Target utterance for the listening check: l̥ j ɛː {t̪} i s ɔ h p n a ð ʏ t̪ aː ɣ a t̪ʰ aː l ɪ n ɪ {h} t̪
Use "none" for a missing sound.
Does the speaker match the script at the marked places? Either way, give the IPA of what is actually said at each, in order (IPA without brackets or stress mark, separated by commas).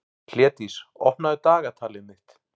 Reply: t̪, h